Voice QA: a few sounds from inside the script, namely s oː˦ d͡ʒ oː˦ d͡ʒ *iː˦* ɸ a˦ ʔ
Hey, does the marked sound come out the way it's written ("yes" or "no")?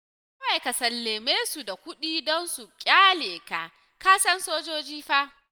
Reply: yes